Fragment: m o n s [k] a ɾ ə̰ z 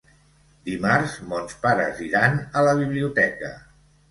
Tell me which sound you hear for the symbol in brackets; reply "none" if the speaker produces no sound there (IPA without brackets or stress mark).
p